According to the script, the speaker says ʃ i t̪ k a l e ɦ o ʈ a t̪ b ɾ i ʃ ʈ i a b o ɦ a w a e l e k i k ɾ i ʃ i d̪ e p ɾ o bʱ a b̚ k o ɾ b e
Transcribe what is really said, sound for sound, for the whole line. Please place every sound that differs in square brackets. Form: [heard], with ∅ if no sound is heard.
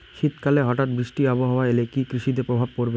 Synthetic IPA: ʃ i t̪ k a l e ɦ [ɔ] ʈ a t̪ b ɾ i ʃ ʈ i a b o ɦ a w a e l e k i k ɾ i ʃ i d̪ e p ɾ o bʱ a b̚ k o ɾ b e